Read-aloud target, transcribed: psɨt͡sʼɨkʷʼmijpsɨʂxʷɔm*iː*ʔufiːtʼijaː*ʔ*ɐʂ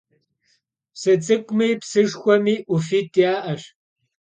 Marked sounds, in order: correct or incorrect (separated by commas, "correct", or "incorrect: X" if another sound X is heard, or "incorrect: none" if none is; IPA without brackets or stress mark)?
correct, correct